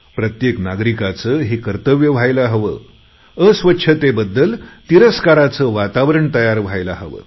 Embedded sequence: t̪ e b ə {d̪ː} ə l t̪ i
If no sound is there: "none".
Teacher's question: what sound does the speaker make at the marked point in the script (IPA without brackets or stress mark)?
d̪ː